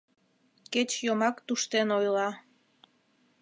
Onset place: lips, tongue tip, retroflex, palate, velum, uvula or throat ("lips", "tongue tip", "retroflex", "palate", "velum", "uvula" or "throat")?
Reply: velum